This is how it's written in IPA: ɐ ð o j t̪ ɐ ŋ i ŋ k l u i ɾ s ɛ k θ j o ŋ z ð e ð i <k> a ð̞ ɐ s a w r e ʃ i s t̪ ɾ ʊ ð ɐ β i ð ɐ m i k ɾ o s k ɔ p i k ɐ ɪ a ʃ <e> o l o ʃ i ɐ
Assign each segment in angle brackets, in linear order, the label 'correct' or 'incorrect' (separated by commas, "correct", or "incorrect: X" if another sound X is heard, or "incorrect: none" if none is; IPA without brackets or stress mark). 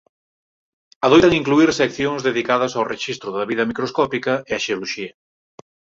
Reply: correct, correct